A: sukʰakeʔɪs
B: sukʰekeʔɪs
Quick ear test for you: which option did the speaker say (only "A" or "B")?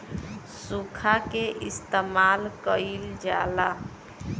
A